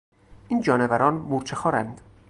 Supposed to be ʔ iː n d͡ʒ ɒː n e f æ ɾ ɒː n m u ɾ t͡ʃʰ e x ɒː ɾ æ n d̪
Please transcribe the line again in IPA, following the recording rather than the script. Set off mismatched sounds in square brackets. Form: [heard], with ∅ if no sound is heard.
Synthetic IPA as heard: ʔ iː n d͡ʒ ɒː n e [v] æ ɾ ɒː n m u ɾ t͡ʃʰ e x ɒː ɾ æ n d̪